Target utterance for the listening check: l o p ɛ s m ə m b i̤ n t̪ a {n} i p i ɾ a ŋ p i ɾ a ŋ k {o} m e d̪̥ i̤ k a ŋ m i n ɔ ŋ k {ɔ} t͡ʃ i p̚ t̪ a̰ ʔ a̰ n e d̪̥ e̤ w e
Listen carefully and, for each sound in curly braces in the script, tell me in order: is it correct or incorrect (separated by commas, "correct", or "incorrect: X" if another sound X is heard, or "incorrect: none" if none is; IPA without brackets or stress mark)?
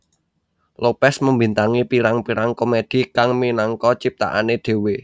incorrect: ŋ, correct, correct